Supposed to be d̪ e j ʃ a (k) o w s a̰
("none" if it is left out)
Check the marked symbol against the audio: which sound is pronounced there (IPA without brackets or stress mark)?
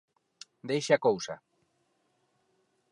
k